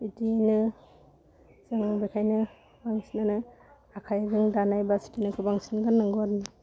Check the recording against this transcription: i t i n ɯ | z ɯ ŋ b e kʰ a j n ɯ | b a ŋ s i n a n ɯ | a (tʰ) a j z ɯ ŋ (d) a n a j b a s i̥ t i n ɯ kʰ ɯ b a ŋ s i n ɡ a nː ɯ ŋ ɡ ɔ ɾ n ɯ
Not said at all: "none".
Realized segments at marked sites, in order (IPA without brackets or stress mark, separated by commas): kʰ, d